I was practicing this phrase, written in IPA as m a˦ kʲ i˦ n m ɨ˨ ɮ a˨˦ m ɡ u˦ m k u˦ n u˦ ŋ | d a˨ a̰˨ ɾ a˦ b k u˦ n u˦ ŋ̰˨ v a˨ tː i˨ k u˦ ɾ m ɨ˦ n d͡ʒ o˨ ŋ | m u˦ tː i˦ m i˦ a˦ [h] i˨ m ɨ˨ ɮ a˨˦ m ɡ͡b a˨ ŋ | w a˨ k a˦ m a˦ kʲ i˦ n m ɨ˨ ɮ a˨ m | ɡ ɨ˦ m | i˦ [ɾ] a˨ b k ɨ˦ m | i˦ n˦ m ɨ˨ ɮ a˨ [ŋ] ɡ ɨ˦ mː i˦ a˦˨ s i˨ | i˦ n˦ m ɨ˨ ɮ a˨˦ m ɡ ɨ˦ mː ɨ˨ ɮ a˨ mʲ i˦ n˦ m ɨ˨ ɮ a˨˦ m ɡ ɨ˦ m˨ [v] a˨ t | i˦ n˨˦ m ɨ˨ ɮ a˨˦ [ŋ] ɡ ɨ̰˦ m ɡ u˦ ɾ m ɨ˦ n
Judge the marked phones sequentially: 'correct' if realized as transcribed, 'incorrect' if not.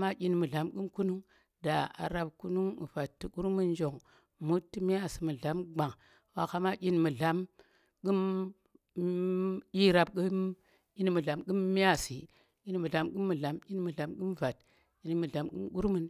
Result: incorrect, correct, incorrect, correct, incorrect

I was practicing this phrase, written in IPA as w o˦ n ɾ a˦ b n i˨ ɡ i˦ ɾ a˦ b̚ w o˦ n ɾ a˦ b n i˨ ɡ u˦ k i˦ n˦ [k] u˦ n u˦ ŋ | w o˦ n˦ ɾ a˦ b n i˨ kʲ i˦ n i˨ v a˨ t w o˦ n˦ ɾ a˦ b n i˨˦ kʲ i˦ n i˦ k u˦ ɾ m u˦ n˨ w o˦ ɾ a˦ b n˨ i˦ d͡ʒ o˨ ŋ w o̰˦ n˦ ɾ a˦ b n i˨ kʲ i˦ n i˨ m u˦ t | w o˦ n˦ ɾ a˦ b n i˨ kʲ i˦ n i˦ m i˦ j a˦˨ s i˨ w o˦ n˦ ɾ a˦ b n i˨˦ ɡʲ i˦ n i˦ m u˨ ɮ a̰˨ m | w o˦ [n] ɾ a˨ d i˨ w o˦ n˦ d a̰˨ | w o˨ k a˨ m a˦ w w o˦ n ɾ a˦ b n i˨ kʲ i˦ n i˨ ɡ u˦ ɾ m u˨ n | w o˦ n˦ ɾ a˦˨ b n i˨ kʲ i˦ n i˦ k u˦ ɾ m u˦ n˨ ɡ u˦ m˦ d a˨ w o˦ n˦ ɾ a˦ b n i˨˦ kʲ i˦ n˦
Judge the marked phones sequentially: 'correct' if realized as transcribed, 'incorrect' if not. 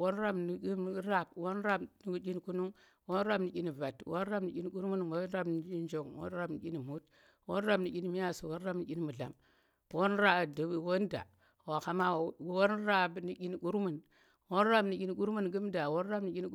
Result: correct, correct

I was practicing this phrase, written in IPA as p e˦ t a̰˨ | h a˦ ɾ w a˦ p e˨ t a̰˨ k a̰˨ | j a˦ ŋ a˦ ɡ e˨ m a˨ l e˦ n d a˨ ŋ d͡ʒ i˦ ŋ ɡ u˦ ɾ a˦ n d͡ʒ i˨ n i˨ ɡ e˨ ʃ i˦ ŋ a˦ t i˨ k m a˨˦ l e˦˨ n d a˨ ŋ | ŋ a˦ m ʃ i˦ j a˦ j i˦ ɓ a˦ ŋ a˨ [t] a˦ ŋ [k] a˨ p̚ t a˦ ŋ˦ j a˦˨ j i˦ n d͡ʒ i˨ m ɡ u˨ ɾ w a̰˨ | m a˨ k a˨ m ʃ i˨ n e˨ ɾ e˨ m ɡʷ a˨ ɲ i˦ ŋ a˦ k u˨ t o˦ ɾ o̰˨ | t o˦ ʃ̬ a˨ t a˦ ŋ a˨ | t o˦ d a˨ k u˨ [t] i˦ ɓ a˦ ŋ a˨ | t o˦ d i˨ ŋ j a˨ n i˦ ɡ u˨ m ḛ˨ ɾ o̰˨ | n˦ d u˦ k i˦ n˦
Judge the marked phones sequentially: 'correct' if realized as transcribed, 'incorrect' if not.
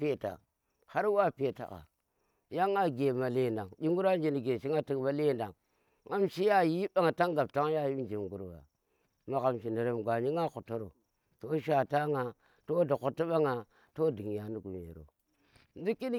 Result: correct, incorrect, correct

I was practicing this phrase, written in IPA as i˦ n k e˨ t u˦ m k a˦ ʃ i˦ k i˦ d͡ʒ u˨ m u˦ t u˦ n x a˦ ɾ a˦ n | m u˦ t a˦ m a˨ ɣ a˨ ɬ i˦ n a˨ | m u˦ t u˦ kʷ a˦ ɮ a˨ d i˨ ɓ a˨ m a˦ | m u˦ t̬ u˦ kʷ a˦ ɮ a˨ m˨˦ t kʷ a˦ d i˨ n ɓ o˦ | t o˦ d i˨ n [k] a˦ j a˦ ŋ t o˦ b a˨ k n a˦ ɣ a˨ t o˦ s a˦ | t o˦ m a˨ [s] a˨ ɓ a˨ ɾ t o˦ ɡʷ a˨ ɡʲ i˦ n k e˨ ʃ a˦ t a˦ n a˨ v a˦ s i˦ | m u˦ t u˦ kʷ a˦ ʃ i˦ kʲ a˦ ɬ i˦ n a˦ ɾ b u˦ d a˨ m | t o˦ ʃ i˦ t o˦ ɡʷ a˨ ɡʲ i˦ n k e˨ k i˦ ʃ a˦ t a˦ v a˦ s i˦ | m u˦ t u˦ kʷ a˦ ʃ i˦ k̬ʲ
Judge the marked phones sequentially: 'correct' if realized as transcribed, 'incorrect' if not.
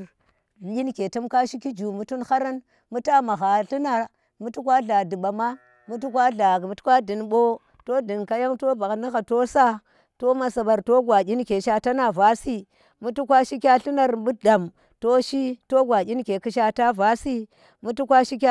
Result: correct, correct

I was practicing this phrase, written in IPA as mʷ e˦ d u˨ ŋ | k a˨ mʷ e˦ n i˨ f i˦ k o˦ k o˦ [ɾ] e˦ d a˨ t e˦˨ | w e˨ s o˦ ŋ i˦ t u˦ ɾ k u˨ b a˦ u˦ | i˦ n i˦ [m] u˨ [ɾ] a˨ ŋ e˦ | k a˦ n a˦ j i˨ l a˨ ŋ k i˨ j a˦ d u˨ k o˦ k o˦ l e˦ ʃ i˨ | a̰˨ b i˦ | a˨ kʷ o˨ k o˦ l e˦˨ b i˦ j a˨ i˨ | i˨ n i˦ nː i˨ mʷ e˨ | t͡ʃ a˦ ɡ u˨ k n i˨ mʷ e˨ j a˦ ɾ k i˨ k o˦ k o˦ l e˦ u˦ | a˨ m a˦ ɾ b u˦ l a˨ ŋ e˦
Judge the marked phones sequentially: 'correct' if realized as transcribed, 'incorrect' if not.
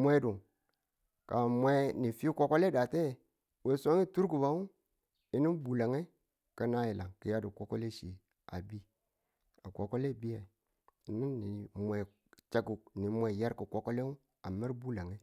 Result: incorrect, incorrect, incorrect

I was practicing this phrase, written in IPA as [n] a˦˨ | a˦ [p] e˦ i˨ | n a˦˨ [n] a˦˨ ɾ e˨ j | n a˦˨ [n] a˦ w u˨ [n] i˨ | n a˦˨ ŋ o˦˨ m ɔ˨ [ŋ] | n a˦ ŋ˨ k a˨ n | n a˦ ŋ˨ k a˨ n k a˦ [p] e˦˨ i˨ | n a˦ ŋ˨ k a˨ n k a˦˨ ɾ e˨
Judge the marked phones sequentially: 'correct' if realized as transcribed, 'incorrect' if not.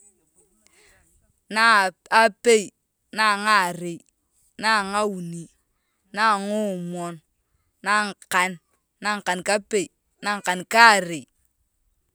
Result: correct, correct, incorrect, incorrect, correct, incorrect, correct

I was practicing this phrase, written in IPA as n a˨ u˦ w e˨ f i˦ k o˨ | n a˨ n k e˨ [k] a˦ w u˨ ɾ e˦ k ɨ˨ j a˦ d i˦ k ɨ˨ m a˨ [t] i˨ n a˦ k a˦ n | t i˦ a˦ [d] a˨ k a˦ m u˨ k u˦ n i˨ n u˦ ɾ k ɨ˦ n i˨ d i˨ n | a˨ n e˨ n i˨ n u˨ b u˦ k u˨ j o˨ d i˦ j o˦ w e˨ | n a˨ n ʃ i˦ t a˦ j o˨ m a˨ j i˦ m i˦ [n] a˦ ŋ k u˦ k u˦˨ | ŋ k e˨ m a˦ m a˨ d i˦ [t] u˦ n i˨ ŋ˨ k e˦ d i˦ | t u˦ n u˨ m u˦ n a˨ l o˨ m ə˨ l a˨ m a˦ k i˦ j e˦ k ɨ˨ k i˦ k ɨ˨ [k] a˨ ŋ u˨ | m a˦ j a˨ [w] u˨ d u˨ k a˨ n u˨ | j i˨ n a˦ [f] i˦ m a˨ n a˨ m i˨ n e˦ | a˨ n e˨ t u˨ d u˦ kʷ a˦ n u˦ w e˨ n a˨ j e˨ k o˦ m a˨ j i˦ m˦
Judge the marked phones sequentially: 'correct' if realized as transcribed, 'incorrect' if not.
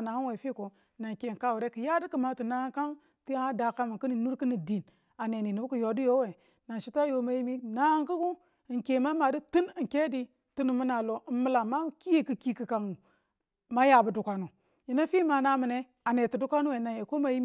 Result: correct, correct, correct, correct, correct, correct, incorrect, correct

